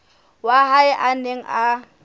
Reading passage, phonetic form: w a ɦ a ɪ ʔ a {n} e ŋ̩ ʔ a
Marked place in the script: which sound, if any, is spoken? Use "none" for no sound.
n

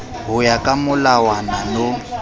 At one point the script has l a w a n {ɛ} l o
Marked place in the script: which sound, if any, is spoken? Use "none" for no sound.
a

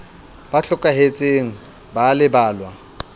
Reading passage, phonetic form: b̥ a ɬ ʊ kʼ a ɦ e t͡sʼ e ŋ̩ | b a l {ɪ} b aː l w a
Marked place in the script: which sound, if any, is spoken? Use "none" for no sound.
ɪ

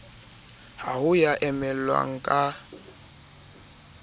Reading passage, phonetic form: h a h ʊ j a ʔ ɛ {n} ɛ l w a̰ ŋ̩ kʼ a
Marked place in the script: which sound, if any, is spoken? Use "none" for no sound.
m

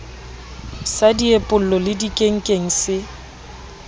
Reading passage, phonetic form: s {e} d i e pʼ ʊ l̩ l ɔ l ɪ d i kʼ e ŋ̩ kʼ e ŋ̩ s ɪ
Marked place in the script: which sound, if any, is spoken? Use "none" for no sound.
a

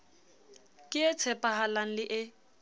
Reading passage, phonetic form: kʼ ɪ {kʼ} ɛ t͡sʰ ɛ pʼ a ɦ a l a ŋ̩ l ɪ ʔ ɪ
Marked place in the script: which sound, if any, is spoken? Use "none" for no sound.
none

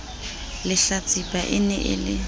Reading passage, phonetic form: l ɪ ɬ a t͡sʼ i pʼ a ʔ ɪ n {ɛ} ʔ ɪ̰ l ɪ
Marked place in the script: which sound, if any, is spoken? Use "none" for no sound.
ɛ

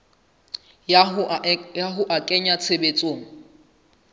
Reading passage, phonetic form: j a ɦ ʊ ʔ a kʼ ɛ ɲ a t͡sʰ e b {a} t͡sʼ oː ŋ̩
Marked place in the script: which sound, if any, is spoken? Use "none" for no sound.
e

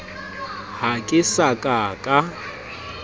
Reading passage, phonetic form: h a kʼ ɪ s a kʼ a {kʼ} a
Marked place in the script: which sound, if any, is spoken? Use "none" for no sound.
kʼ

